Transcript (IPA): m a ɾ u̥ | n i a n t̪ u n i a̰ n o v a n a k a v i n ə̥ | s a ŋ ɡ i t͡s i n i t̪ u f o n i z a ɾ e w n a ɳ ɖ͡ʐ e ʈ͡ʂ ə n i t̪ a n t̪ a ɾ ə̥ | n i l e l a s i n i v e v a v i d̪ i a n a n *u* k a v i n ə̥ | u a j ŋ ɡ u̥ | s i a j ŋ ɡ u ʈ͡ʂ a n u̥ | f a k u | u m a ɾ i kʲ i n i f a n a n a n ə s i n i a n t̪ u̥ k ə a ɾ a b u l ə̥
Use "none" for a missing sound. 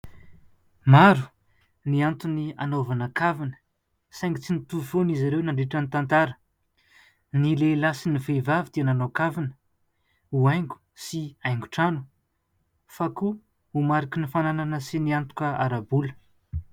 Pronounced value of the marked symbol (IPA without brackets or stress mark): o